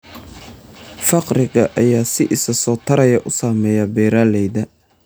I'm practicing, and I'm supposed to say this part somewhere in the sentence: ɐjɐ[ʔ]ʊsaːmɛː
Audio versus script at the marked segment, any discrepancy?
no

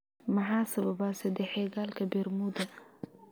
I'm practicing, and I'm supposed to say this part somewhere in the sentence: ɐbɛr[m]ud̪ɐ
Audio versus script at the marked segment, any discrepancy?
no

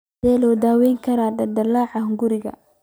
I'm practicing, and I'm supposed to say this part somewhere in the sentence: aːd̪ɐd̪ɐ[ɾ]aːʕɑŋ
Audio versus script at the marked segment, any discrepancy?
yes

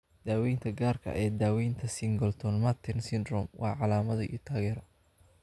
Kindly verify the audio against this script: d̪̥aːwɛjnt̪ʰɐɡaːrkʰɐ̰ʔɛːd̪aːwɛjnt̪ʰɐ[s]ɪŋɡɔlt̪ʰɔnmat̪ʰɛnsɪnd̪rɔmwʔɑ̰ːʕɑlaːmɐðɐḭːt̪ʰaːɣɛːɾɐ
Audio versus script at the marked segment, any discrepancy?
no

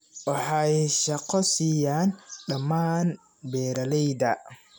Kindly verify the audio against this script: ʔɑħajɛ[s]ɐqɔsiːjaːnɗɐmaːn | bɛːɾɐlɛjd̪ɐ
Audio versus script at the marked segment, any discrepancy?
yes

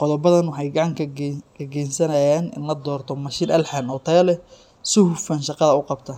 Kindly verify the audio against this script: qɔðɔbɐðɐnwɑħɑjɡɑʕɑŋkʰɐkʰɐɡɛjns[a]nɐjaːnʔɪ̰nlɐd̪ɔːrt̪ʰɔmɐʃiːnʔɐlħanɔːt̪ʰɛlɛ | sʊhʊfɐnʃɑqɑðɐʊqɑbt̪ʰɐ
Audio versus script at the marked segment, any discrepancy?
yes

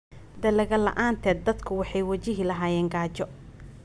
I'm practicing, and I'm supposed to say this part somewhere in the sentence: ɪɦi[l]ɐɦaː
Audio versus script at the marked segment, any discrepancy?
no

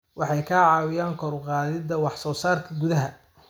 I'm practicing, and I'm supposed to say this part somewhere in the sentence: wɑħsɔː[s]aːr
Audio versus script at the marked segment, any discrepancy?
no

